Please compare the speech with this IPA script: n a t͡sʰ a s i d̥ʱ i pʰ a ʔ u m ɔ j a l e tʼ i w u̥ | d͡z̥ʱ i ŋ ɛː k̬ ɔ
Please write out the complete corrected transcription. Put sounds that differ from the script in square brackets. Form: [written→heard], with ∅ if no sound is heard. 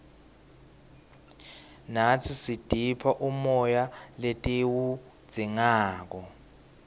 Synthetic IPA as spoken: n a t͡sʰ [a→i] s i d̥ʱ i pʰ a ʔ u m ɔ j a l e tʼ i w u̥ | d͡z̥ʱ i ŋ [ɛː→aː] k̬ ɔ